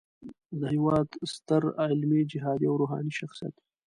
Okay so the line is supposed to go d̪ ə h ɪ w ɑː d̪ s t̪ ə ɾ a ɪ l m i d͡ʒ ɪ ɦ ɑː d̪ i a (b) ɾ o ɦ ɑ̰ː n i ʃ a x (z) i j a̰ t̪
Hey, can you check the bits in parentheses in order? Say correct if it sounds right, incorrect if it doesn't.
incorrect: w, incorrect: s

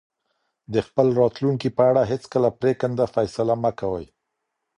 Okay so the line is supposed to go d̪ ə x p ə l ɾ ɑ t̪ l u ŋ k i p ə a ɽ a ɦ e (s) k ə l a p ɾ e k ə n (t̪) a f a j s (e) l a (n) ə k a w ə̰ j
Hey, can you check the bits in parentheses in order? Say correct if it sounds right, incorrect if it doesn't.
incorrect: t͡s, incorrect: d̪, incorrect: a, incorrect: m

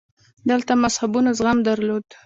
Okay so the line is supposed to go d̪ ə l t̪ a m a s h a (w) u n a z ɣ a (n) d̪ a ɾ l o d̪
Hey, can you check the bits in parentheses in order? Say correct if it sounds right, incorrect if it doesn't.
incorrect: b, incorrect: m

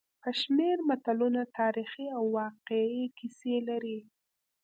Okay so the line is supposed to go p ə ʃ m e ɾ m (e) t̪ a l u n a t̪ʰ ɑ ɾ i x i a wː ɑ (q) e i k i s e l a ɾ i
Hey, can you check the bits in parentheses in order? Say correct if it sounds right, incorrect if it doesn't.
incorrect: a, correct

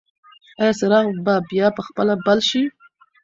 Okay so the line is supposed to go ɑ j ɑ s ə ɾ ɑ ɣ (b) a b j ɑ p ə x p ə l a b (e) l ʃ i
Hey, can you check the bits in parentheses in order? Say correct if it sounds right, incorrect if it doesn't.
correct, incorrect: a

